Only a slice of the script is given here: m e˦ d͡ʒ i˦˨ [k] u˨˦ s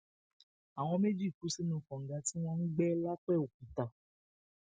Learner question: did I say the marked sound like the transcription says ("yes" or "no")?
yes